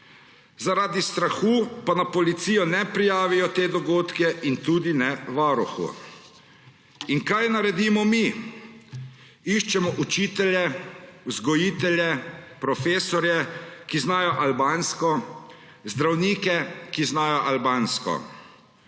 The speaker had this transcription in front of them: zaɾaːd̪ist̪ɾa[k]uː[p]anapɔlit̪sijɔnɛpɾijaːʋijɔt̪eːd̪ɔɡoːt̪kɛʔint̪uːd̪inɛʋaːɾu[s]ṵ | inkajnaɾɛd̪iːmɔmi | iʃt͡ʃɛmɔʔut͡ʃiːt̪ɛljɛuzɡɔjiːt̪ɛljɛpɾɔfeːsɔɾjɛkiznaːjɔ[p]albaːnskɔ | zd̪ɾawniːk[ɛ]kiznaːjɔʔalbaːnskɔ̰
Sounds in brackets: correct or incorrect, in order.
incorrect: x, correct, incorrect: x, incorrect: ʔ, correct

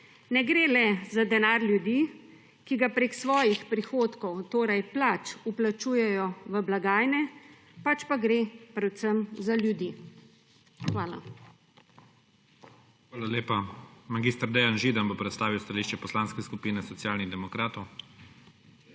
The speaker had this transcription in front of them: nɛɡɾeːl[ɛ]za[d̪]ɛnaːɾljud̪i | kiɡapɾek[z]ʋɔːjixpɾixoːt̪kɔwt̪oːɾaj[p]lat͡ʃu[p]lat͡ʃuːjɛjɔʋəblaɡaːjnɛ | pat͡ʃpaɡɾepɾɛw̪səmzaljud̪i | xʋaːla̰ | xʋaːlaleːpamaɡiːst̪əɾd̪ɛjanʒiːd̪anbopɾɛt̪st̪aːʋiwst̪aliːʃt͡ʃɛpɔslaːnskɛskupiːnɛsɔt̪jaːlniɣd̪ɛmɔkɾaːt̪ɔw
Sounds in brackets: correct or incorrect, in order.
correct, correct, incorrect: s, correct, correct

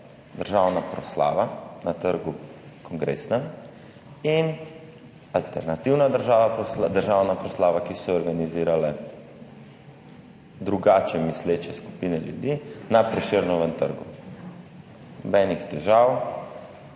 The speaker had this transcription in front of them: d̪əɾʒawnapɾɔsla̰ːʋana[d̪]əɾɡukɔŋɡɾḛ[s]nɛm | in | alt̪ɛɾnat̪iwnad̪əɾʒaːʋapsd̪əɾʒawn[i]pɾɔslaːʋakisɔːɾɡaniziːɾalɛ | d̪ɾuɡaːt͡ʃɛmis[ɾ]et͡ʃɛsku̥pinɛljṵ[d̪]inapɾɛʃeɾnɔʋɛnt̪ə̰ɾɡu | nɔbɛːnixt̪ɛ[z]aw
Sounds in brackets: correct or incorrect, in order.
incorrect: t̪, correct, incorrect: a, incorrect: l, correct, incorrect: ʒ

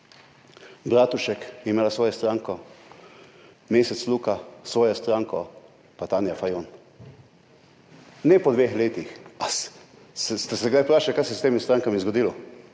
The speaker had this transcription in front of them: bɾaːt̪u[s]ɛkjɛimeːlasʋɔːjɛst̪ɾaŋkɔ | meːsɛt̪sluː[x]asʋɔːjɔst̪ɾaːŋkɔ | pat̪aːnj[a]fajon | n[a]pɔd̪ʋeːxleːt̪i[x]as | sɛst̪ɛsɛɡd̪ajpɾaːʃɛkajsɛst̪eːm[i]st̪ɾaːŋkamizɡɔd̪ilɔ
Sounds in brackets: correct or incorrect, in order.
incorrect: ʃ, incorrect: k, correct, incorrect: ɛ, correct, correct

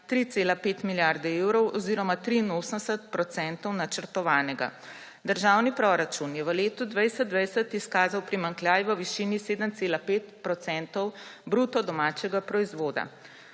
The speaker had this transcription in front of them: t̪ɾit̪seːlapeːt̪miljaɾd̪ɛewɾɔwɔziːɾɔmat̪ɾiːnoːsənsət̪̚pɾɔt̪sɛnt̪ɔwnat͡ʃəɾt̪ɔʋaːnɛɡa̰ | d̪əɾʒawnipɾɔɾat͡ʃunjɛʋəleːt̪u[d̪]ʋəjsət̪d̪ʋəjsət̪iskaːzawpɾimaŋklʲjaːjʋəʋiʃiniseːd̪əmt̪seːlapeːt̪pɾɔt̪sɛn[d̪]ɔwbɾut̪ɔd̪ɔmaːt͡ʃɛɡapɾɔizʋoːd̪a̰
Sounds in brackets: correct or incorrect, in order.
correct, incorrect: t̪

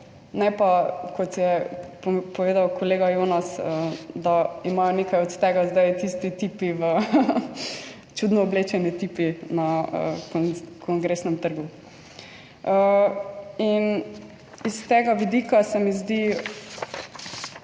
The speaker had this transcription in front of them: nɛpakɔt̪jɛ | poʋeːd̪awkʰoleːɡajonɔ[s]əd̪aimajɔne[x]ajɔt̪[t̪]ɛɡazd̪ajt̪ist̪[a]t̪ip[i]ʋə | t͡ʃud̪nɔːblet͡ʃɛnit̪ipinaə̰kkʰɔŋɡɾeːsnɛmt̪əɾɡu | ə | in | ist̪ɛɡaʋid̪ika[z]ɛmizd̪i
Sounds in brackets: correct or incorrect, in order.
correct, incorrect: k, correct, incorrect: i, correct, incorrect: s

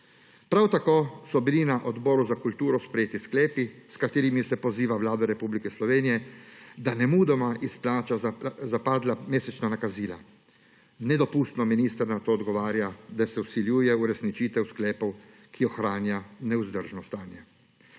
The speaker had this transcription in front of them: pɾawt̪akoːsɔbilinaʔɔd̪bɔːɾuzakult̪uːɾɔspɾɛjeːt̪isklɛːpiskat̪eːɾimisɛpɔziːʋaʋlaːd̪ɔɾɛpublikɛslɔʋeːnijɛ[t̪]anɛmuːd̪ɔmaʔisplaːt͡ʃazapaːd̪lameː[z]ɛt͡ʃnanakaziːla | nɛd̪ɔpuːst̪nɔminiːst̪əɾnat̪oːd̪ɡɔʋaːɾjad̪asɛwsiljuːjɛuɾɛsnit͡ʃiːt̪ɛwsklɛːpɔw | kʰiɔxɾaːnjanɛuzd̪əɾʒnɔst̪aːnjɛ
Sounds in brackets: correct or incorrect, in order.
incorrect: d̪, incorrect: s

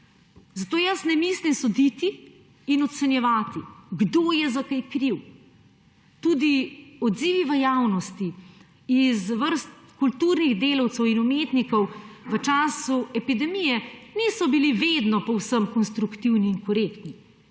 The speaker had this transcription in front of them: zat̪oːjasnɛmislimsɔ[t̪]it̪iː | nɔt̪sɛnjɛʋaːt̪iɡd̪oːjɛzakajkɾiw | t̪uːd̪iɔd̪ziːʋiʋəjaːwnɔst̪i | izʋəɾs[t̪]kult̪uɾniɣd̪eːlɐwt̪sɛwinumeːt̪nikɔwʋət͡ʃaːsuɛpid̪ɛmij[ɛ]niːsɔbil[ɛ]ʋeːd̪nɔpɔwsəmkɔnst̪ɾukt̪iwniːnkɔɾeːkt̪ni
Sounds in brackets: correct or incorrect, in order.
incorrect: d̪, correct, correct, incorrect: i

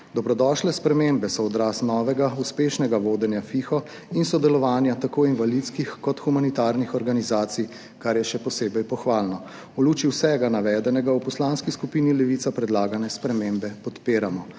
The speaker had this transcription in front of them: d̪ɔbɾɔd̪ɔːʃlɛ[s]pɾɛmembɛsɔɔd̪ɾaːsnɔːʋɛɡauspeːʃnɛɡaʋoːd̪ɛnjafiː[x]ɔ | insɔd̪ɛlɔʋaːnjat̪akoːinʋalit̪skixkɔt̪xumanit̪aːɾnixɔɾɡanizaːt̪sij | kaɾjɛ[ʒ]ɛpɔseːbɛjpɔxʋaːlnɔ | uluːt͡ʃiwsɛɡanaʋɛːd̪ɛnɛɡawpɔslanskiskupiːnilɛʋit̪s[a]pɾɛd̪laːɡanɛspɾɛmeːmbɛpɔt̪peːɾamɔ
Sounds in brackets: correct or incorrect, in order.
correct, correct, incorrect: ʃ, correct

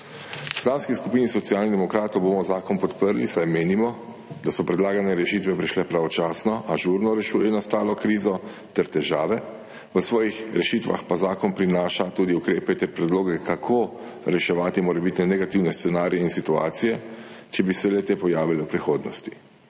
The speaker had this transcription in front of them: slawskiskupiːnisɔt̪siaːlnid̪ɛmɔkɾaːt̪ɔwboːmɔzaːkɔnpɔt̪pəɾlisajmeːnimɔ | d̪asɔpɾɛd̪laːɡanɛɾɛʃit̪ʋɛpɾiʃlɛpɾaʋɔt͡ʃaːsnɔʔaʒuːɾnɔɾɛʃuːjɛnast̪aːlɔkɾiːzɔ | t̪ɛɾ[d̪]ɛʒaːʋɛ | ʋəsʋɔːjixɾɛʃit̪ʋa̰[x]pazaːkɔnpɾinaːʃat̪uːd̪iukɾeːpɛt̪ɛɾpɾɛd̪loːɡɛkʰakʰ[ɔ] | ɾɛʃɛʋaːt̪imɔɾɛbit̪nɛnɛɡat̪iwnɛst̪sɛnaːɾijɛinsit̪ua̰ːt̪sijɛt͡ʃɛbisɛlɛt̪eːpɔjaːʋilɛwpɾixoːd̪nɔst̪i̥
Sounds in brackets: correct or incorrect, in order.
incorrect: t̪, correct, incorrect: o

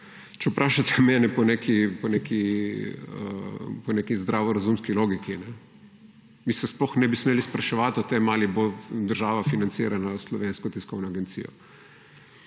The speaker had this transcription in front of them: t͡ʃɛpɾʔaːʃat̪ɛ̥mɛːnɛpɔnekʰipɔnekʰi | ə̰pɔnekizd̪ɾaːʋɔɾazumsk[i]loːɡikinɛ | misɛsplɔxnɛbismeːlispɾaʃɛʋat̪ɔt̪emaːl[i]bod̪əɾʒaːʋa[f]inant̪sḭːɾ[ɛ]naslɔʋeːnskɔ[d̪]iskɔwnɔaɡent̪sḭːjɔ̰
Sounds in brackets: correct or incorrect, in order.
correct, correct, correct, incorrect: a, incorrect: t̪

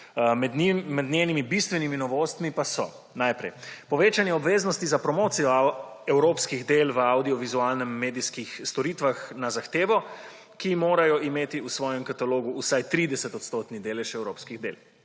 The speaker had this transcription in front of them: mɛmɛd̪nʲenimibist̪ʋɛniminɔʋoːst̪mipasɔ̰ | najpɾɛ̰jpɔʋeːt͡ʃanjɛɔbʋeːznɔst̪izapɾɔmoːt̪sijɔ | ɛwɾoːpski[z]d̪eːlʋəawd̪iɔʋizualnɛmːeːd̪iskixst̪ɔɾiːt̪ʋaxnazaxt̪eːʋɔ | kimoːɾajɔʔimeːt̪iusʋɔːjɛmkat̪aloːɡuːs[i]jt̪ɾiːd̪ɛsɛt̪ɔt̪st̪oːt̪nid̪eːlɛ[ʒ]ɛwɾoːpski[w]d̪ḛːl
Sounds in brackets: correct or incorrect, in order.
incorrect: ɣ, incorrect: a, incorrect: ʃ, incorrect: ɣ

